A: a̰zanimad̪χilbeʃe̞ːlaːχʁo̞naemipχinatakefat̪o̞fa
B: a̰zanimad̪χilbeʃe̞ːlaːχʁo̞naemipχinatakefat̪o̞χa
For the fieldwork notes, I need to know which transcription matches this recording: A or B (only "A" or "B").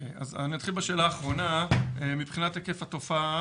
A